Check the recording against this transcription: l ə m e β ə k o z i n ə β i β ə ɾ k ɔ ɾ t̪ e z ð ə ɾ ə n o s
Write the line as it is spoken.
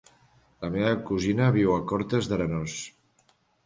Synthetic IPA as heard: l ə m e β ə k u z i n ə β i w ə k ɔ ɾ t̪ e z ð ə ɾ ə n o s